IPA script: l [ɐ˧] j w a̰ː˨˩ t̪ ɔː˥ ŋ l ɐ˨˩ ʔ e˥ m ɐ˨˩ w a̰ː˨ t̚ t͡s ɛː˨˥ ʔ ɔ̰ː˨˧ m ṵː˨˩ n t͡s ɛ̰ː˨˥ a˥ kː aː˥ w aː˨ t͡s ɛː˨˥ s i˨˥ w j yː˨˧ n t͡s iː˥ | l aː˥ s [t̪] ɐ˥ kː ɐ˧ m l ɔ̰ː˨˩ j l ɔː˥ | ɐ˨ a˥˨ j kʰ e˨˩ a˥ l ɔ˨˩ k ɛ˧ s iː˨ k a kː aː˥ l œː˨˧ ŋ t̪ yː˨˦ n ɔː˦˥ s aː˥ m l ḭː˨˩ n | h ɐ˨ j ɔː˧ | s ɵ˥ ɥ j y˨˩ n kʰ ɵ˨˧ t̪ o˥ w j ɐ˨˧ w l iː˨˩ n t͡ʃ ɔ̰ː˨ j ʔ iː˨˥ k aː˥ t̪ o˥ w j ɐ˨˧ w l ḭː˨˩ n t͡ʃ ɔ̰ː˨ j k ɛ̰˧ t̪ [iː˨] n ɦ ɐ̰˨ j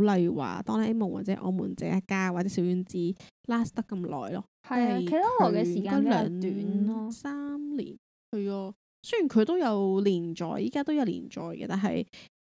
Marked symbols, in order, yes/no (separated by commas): yes, yes, no